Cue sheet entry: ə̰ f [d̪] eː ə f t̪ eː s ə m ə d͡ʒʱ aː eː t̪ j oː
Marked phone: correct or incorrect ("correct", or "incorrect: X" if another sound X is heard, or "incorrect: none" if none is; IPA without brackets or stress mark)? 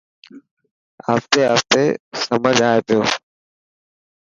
incorrect: t̪